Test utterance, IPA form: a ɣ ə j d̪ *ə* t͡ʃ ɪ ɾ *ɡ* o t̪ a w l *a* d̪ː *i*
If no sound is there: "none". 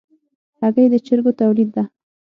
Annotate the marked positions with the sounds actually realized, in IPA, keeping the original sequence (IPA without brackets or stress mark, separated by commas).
ə, ɡ, i, a